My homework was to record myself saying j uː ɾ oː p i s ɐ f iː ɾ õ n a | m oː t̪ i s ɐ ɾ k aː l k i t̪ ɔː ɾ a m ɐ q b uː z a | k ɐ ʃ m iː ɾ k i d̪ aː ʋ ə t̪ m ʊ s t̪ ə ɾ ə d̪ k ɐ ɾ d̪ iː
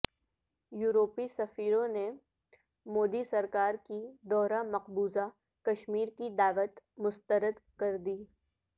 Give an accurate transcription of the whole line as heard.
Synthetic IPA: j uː ɾ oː p i s ɐ f iː ɾ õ n e | m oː d̪ i s ɐ ɾ k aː ɾ k i d̪ ɔː ɾ a m ɐ q b uː z a | k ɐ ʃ m iː ɾ k i d̪ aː ʋ ə t̪ m ʊ s t̪ ə ɾ ə d̪ k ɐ ɾ d̪ iː